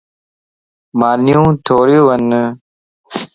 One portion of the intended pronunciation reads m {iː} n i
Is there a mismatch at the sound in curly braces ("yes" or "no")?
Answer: yes